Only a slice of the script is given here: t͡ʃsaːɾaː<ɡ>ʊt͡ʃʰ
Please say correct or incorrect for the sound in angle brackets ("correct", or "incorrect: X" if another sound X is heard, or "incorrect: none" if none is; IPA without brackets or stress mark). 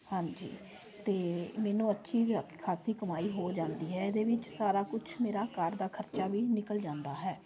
incorrect: k